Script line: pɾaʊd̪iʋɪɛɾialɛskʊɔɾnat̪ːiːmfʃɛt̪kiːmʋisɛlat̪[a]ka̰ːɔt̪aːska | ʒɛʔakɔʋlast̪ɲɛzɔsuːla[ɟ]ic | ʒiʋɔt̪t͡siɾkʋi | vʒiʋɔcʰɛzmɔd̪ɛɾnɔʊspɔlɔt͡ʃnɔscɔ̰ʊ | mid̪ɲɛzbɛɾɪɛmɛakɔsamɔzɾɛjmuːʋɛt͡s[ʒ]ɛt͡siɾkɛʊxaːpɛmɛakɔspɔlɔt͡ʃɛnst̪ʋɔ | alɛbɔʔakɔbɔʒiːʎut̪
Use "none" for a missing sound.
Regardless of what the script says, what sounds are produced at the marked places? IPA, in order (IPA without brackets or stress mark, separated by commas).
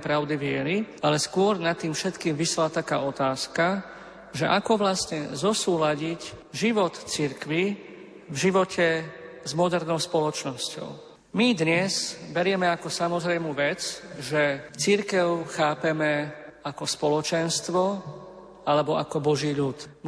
a, ɟ, ʒ